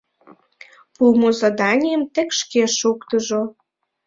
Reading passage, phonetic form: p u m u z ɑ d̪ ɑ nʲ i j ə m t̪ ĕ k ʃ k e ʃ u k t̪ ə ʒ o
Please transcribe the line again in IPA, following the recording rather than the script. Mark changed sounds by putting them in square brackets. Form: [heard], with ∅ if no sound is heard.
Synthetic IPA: p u m [o] z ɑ d̪ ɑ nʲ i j ə m t̪ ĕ k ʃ k e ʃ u k t̪ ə ʒ o